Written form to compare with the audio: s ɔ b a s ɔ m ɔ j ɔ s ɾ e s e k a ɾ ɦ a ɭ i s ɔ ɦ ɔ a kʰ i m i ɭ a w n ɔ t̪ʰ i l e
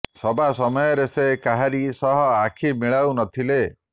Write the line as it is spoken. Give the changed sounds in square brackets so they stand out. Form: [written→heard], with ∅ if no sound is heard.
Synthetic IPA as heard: s ɔ b a s ɔ m ɔ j ɔ [s→∅] ɾ e s e k a [ɾ→∅] ɦ a [ɭ→ɾ] i s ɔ ɦ ɔ a kʰ i m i ɭ a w n ɔ t̪ʰ i l e